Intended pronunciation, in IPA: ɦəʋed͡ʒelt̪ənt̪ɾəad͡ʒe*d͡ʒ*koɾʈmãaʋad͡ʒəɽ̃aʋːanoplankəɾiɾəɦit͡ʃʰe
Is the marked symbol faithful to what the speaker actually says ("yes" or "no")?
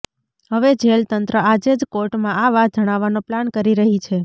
yes